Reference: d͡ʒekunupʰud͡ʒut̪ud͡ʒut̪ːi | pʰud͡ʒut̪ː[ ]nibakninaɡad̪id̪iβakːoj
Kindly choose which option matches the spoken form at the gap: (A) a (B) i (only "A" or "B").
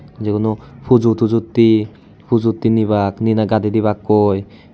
B